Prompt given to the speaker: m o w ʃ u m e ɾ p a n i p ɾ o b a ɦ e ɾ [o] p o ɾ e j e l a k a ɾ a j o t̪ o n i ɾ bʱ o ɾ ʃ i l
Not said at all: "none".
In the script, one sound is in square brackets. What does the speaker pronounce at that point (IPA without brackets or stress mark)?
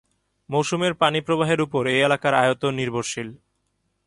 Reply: u